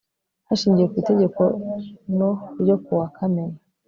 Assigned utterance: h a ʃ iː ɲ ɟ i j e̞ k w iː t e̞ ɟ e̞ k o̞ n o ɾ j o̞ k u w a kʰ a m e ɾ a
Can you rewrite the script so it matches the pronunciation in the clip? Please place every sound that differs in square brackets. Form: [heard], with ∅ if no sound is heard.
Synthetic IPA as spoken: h a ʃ iː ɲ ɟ i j e̞ k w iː t e̞ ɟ e̞ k o̞ n o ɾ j o̞ k u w a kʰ a m e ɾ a